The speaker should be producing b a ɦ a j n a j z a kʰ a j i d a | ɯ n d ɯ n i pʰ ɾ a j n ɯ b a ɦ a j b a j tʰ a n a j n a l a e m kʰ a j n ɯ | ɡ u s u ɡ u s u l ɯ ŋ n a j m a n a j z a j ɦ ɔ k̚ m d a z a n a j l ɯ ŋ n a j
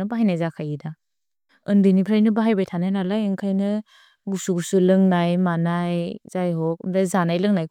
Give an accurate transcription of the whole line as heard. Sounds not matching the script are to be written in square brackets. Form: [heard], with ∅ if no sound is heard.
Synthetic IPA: b a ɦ a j n a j z a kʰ a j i d a | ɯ n d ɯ n i pʰ ɾ a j n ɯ b a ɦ a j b a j tʰ a n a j n a l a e [ŋ] kʰ a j n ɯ | ɡ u s u ɡ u s u l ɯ ŋ n a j m a n a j z a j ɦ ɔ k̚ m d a z a n a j l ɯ ŋ n a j